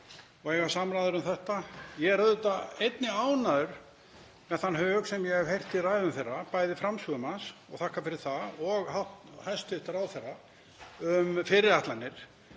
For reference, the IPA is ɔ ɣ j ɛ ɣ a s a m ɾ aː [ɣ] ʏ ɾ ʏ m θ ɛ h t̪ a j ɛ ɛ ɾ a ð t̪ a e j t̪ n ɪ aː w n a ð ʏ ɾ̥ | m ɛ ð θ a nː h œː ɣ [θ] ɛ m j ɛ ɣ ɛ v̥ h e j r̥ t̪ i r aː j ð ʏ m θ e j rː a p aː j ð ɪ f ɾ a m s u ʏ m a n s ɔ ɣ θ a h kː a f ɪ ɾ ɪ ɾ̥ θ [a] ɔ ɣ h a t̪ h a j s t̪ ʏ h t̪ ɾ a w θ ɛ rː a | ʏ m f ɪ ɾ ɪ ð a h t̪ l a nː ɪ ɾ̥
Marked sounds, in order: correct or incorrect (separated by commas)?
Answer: incorrect, incorrect, correct